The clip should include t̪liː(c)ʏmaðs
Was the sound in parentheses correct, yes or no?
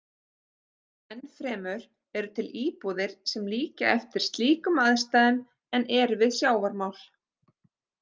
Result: no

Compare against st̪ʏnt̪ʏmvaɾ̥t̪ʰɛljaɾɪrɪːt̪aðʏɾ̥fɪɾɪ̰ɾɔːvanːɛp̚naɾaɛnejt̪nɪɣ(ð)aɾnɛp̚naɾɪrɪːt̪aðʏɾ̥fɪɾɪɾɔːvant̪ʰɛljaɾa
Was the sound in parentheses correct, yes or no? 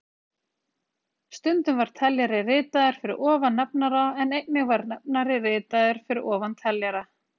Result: no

